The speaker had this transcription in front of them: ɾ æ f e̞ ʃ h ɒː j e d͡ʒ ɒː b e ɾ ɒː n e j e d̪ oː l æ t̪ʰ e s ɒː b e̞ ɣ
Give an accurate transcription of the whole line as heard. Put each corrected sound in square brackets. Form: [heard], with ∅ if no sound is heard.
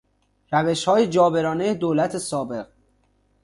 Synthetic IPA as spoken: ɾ æ [v] e̞ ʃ h ɒː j e d͡ʒ ɒː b e ɾ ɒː n e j e d̪ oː l æ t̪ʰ e s ɒː b e̞ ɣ